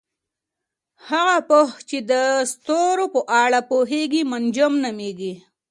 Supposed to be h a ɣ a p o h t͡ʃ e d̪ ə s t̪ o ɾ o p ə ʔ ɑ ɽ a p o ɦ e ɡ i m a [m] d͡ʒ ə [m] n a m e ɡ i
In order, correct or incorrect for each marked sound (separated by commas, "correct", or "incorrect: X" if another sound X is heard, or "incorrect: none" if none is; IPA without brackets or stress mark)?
incorrect: n, correct